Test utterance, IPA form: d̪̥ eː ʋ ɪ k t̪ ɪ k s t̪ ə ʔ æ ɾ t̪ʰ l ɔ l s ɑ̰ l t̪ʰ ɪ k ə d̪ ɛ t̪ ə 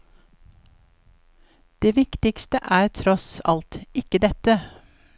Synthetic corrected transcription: d̪̥ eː ʋ ɪ k t̪ ɪ k s t̪ ə ʔ æː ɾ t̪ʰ ɾ ɔ s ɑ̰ l t̪ ɪ k ə d̪ ɛ t̪ ə